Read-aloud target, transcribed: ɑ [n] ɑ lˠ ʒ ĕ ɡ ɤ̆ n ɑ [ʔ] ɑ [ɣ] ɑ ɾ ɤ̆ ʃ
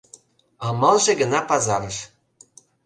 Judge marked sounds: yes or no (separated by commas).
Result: no, no, no